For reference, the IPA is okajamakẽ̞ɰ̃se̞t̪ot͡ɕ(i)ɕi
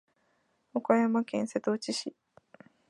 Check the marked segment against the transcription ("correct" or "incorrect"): correct